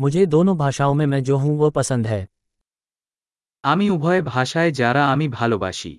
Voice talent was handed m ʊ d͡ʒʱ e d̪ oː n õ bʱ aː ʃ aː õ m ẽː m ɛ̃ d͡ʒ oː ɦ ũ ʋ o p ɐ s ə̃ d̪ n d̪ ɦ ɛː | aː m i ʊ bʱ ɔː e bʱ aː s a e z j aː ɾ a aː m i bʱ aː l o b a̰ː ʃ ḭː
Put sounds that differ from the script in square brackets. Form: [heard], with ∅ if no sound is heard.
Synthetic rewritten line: m ʊ d͡ʒʱ e d̪ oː n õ bʱ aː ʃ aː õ m [ẽ] m ɛ̃ d͡ʒ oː ɦ ũ ʋ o p ɐ s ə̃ [∅] n d̪ ɦ ɛː | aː m i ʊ bʱ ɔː e bʱ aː [ʃ] a e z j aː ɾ a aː m i bʱ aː l o b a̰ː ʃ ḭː